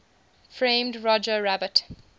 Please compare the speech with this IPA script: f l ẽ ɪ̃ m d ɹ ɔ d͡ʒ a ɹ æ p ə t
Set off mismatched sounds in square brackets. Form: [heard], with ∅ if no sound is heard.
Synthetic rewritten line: f [ɹ] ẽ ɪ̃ m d ɹ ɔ d͡ʒ [ə] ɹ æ [b] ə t